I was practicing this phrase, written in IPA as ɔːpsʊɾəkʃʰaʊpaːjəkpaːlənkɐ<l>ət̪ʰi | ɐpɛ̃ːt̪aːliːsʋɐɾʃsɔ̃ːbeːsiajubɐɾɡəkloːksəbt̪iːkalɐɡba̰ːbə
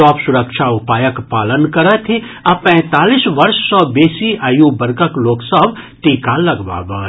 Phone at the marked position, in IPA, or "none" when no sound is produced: ɾ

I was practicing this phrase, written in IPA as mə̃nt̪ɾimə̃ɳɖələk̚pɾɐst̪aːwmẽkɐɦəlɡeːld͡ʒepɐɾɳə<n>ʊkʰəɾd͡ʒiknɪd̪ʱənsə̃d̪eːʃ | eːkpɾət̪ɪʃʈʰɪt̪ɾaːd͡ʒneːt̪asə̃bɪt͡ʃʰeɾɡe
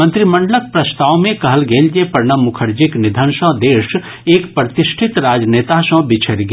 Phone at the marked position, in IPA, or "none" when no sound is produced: m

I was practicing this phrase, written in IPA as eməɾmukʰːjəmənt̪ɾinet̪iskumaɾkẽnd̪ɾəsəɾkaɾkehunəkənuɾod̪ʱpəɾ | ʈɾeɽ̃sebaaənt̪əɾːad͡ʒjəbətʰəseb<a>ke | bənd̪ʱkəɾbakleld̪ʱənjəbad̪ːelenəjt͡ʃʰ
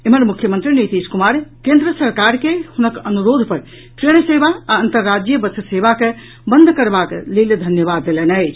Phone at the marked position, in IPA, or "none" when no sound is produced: a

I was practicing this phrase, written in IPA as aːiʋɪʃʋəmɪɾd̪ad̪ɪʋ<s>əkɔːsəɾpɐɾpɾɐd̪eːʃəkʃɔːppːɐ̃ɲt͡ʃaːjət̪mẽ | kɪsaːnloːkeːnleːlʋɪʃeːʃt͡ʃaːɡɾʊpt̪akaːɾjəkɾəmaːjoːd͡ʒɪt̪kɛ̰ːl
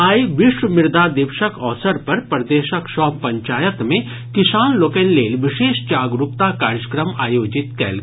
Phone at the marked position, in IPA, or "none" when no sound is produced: ʃ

